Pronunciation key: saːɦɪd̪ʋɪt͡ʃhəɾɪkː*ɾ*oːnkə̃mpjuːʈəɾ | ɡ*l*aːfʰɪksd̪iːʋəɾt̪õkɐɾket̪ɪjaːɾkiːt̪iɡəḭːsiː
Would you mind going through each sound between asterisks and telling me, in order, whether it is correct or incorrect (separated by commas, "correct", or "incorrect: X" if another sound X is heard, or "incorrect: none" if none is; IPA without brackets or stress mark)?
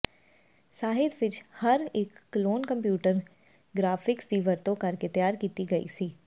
incorrect: l, incorrect: ɾ